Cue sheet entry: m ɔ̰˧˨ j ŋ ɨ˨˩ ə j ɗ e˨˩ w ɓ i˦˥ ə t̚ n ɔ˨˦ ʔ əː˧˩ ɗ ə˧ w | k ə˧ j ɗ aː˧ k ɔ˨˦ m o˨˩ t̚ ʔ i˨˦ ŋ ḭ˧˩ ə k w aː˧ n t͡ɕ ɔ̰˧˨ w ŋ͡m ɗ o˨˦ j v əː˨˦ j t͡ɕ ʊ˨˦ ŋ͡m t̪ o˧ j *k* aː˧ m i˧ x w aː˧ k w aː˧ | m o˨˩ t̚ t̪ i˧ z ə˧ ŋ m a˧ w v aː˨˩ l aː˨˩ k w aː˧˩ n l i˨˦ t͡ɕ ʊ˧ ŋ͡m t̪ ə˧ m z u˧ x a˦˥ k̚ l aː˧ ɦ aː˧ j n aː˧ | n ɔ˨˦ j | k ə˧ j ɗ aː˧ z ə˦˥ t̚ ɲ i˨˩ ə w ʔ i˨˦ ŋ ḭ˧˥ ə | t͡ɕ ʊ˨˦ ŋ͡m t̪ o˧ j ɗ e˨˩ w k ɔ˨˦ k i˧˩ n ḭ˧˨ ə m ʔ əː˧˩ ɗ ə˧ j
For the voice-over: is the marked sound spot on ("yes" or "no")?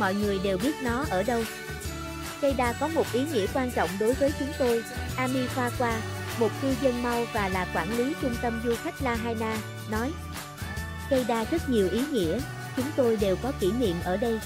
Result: no